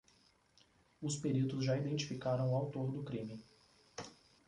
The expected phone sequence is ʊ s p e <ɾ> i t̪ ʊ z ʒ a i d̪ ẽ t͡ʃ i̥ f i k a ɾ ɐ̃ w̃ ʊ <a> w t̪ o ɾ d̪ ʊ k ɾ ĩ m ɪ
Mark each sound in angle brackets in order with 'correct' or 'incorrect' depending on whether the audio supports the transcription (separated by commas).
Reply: correct, correct